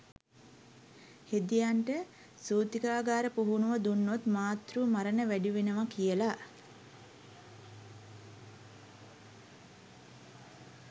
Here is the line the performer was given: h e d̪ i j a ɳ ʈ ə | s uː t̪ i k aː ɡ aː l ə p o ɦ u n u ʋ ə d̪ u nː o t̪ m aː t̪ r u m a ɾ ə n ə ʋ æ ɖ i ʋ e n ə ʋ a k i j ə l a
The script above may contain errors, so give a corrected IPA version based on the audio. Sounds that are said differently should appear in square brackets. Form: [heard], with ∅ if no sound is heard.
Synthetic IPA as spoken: h e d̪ i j a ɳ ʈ ə | s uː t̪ i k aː ɡ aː [ɾ] ə p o ɦ u n u ʋ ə d̪ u nː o t̪ m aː t̪ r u m a ɾ ə n ə ʋ æ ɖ i ʋ e n ə ʋ a k i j ə l a

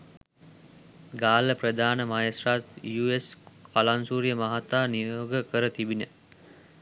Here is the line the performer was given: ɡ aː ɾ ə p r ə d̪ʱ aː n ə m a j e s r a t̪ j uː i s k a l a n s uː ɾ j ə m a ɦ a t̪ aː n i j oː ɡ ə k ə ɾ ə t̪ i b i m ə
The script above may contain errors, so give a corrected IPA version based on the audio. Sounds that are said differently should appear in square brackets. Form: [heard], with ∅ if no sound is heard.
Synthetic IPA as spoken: ɡ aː [l] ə p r ə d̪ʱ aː n ə m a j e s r a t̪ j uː [e] s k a l a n s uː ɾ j ə m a ɦ a t̪ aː n i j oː ɡ ə k ə ɾ ə t̪ i b i [n] ə

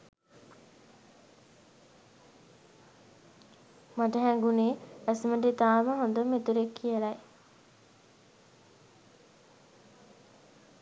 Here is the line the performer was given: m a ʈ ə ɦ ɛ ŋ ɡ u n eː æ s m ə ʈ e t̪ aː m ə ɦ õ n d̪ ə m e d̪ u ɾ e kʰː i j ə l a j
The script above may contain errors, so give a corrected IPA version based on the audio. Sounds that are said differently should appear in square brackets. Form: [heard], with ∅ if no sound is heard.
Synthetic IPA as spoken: m a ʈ ə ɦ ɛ ŋ ɡ u n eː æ s m ə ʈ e t̪ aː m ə ɦ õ n d̪ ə m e [t̪] u ɾ e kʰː i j ə l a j

